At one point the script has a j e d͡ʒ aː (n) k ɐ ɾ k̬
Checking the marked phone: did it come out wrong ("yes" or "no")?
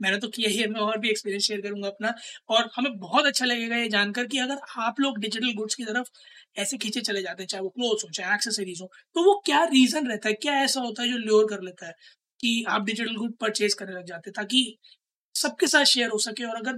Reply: no